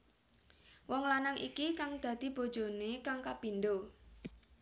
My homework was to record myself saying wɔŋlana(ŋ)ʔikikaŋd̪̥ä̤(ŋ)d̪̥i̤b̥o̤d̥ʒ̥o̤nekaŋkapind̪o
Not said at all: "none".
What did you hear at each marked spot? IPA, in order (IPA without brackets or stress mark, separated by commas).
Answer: ŋ, none